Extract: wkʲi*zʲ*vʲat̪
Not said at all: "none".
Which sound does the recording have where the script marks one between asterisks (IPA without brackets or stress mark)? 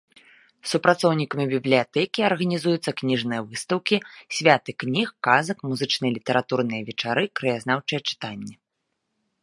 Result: sʲ